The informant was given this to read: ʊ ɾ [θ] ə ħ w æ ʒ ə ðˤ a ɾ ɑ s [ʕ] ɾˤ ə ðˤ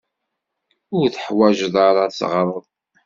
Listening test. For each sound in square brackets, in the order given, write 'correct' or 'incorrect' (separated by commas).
correct, incorrect